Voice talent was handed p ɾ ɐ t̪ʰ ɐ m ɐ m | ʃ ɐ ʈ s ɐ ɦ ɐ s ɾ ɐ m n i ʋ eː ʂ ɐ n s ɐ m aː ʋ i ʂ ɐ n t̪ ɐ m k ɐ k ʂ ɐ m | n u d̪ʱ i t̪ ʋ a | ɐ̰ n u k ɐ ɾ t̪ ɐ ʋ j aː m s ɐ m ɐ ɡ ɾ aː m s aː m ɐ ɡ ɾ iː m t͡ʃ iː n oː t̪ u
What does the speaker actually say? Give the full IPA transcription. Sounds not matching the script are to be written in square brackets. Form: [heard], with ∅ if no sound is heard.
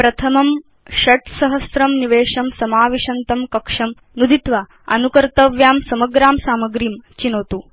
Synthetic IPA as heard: p ɾ ɐ t̪ʰ ɐ m ɐ m | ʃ ɐ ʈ s ɐ ɦ ɐ s ɾ ɐ m n i ʋ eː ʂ ɐ [m] s ɐ m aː ʋ i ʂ ɐ n t̪ ɐ m k ɐ k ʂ ɐ m | n u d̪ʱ i t̪ ʋ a | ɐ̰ n u k ɐ ɾ t̪ ɐ ʋ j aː m s ɐ m ɐ ɡ ɾ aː m s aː m ɐ ɡ ɾ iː m t͡ʃ [i] n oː t̪ u